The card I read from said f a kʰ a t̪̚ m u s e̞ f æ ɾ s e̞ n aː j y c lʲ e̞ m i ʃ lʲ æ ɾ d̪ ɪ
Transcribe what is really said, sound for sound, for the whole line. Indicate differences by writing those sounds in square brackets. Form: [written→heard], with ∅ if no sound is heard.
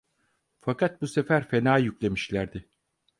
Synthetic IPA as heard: f a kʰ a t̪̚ [m→b] u s e̞ f æ ɾ [s→f] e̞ n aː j y c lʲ e̞ m i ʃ lʲ æ ɾ d̪ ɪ